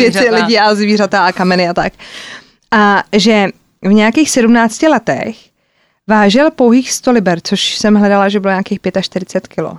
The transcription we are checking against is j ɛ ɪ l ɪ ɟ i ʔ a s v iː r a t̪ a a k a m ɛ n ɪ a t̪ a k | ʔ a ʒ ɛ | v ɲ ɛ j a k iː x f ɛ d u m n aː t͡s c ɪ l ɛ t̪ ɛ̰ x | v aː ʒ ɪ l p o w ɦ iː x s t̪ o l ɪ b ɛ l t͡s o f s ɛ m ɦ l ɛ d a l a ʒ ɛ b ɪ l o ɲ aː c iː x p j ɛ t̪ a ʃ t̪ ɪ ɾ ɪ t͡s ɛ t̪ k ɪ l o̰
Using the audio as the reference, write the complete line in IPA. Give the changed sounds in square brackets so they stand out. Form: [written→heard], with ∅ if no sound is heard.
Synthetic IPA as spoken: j ɛ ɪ l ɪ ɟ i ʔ a [s→z] v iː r a t̪ a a k a m ɛ n ɪ a t̪ a k | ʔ a ʒ ɛ | v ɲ ɛ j a k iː x [f→s] ɛ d u m n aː t͡s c ɪ l ɛ t̪ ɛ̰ x | v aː ʒ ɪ l p o w ɦ iː x s t̪ o l ɪ b ɛ [l→ɾ] t͡s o [f→ʃ] s ɛ m ɦ l ɛ d a l a ʒ ɛ b ɪ l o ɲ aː [c→k] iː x p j ɛ t̪ a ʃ t̪ ɪ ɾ ɪ t͡s ɛ t̪ k ɪ l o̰